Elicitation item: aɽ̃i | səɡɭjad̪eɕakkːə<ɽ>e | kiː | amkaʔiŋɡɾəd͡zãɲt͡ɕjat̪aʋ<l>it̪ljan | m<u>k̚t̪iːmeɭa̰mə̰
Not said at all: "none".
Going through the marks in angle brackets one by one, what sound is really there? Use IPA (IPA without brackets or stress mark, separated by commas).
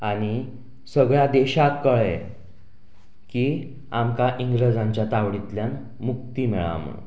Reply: ɭ, ɽ, u